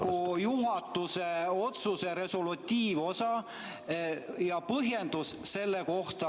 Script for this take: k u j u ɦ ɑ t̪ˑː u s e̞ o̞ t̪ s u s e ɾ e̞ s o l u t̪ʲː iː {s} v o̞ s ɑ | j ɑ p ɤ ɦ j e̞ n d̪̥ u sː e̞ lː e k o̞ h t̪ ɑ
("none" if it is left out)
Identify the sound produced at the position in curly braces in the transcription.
none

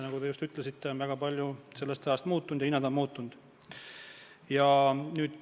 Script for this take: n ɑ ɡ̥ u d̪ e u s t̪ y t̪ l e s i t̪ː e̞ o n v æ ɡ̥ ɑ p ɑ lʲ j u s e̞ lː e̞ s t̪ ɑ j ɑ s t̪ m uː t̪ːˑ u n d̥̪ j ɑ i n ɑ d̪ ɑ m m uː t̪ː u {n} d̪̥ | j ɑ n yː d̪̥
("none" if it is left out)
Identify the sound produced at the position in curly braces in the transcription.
n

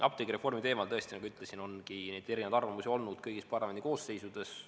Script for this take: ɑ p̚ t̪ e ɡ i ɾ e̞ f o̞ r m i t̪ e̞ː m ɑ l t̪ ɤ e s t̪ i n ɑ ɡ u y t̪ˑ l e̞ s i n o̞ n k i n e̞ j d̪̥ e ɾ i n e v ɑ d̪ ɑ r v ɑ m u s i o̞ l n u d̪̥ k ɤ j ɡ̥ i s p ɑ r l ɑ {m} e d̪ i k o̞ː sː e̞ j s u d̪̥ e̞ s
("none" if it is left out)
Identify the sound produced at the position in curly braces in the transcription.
m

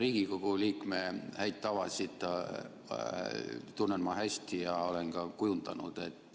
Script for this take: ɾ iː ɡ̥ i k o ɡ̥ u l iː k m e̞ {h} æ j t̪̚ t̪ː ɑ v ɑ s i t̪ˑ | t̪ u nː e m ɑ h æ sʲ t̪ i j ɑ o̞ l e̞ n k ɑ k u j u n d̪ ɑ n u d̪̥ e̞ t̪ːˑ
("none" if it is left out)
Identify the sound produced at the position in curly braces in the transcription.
h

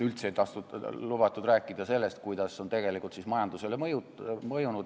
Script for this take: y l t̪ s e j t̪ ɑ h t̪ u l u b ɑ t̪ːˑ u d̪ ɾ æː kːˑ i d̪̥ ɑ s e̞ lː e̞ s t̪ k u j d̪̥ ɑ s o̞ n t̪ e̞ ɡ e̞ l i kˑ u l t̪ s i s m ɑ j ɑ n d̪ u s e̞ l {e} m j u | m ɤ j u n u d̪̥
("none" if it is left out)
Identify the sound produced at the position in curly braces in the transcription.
e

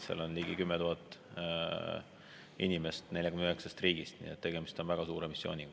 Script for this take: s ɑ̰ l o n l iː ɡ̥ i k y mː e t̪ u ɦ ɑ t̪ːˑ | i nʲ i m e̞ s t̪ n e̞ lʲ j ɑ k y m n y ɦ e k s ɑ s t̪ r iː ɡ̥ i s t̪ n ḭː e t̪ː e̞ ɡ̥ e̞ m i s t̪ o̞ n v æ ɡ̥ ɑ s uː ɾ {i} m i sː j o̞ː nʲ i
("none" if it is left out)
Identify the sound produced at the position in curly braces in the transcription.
e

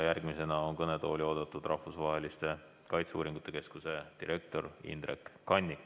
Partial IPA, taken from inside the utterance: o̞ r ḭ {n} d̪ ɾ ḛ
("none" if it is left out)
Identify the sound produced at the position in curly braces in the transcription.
n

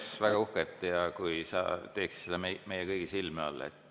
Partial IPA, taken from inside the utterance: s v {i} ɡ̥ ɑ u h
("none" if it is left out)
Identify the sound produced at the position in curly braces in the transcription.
æ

